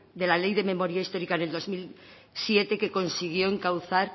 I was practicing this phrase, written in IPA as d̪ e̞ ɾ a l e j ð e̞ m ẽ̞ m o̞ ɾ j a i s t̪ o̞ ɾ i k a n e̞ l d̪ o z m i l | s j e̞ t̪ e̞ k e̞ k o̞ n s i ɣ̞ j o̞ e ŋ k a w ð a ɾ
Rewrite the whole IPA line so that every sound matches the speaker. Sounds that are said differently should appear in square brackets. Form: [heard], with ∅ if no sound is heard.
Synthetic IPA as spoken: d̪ e̞ [l] a l e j ð e̞ m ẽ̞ m o̞ ɾ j a i s t̪ o̞ ɾ i k a n e̞ l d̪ o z m i l | s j e̞ t̪ e̞ k e̞ k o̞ n s i ɣ̞ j o̞ e ŋ k a w [θ] a ɾ